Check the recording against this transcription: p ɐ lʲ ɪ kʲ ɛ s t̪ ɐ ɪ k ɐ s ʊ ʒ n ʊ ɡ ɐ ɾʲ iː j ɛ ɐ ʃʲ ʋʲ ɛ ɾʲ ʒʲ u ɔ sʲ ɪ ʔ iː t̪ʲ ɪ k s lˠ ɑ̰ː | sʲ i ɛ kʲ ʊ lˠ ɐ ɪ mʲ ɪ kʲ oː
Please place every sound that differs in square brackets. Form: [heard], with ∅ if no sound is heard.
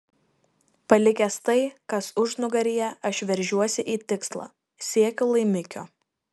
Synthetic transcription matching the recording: p ɐ lʲ ɪ kʲ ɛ s t̪ ɐ ɪ k ɐ s ʊ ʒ n ʊ ɡ ɐ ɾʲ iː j ɛ ɐ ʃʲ ʋʲ ɛ ɾʲ ʒʲ u ɔ sʲ ɪ ʔ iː t̪ʲ ɪ k s lˠ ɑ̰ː | sʲ i ɛ kʲ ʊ lˠ ɐ ɪ mʲ ɪ kʲ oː